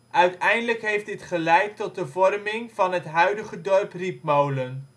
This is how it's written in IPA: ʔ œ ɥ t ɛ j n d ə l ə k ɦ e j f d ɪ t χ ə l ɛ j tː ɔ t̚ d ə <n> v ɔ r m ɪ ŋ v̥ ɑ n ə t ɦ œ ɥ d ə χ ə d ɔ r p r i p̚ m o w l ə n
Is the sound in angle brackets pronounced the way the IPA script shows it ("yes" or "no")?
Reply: no